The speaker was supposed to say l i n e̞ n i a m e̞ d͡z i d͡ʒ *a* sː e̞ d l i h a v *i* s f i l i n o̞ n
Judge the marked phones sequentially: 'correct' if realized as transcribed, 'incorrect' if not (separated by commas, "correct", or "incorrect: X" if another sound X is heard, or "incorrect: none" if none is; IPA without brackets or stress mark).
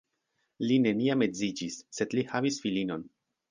incorrect: i, correct